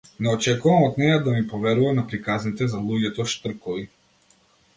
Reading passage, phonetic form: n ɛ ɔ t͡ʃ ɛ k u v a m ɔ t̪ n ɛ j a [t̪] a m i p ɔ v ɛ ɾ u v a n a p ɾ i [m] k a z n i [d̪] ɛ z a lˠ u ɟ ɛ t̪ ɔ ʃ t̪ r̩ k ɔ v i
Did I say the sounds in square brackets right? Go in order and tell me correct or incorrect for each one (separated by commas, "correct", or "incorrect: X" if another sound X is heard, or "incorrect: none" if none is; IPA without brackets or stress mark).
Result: incorrect: d̪, incorrect: none, incorrect: t̪